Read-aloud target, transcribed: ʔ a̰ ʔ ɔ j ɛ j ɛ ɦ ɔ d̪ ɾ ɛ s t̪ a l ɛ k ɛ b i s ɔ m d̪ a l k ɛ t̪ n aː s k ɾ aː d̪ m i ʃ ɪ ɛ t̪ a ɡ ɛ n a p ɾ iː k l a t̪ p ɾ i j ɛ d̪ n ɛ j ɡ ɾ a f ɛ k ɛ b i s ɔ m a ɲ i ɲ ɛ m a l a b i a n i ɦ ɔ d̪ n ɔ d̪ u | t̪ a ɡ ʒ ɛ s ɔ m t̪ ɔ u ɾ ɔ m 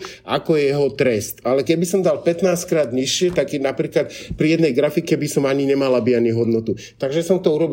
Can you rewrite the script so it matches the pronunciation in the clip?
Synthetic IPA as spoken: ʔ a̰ k ɔ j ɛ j ɛ ɦ ɔ t̪ ɾ ɛ s t̪ a l ɛ k ɛ b i s ɔ m d̪ a l p ɛ t̪ n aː s k ɾ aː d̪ ɲ i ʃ ɪ ɛ t̪ a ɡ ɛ n a p ɾ iː k l a t̪ p ɾ i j ɛ d̪ n ɛ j ɡ ɾ a f i k ɛ b i s ɔ m a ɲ i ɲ ɛ m a l a b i a n i ɦ ɔ d̪ n ɔ t̪ u | t̪ a ɡ ʒ ɛ s ɔ m t̪ ɔ u ɾ ɔ b